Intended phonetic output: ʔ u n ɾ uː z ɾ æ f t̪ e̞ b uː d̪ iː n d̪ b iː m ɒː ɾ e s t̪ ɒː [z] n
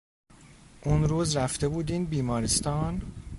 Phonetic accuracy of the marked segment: incorrect: none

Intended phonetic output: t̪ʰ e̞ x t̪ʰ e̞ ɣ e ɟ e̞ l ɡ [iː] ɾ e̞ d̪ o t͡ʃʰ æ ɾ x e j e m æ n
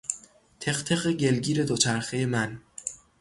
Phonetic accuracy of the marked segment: correct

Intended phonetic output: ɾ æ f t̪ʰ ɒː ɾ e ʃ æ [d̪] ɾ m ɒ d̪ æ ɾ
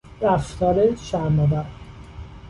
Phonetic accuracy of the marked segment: incorrect: none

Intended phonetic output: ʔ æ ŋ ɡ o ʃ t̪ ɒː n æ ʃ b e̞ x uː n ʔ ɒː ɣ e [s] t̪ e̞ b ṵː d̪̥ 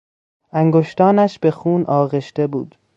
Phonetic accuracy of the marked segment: incorrect: ʃ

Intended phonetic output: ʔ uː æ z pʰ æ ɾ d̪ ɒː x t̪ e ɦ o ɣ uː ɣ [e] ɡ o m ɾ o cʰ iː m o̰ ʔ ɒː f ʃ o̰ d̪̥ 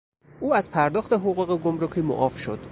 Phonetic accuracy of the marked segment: correct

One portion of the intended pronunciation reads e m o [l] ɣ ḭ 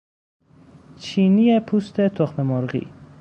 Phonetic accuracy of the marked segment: incorrect: ɾ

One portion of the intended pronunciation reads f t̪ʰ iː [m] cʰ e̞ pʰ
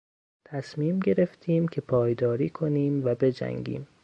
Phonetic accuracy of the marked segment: correct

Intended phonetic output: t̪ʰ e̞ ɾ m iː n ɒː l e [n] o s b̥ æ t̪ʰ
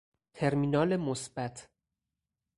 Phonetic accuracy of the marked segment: incorrect: m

